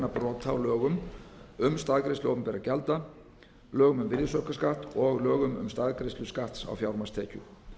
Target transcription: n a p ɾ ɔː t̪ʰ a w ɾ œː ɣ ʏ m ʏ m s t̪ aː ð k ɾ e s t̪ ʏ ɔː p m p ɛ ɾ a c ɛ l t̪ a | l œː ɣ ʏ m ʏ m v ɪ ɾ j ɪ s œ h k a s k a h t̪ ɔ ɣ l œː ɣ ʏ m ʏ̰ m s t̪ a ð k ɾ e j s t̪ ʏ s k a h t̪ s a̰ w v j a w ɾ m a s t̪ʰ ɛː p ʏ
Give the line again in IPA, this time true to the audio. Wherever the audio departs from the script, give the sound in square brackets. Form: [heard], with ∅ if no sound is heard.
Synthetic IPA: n a p ɾ ɔː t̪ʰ a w [l] œː ɣ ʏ m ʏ m s t̪ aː ð k ɾ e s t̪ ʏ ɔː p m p ɛ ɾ a c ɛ l t̪ a | l œː ɣ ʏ m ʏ m v ɪ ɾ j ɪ s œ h k a s k a h t̪ ɔ ɣ l œː ɣ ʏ m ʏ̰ m s t̪ a ð k ɾ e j s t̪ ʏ s k a h t̪ s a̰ w [f] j a w ɾ m a s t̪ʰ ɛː [c] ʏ